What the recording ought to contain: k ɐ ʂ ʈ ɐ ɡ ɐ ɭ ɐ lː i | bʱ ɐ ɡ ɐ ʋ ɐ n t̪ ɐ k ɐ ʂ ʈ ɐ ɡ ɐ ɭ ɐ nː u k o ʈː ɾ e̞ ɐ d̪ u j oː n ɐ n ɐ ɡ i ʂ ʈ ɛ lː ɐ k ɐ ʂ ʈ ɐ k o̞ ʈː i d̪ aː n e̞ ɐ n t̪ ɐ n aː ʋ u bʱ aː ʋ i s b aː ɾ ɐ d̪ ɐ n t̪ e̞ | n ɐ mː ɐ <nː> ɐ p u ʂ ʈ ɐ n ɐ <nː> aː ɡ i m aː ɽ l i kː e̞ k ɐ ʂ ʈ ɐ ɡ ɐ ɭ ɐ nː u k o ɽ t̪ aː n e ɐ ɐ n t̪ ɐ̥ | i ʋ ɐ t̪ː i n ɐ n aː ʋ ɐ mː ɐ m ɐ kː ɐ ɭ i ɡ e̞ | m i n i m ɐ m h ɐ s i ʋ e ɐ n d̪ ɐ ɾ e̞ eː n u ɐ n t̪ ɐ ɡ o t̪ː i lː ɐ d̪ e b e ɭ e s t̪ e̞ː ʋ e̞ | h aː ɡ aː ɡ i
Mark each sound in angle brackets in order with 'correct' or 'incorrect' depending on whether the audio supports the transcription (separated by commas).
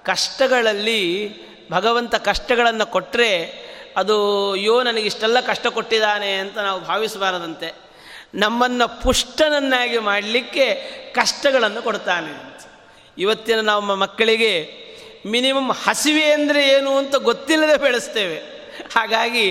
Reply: correct, correct